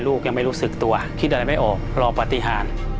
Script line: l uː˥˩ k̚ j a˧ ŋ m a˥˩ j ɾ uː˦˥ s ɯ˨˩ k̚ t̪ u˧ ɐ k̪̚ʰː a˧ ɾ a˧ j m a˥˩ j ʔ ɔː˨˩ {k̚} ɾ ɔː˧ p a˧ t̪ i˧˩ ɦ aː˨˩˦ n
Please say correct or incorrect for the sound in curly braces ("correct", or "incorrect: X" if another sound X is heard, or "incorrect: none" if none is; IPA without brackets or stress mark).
correct